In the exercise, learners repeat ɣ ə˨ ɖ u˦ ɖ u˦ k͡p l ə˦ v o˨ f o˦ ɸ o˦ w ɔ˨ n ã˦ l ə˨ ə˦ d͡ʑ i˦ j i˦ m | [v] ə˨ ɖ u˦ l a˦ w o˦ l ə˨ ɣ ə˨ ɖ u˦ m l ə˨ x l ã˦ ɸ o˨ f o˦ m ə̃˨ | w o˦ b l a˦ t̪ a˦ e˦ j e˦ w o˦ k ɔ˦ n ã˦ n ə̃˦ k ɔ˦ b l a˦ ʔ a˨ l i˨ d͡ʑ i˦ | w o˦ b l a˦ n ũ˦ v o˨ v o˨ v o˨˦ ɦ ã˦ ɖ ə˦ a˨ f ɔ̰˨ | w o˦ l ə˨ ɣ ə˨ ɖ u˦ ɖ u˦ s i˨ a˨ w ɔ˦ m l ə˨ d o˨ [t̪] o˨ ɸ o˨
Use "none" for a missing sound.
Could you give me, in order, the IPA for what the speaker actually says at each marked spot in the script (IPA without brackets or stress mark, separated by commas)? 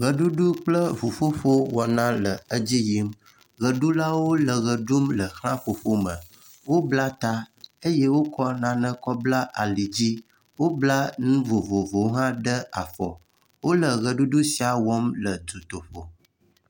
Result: ɣ, t̪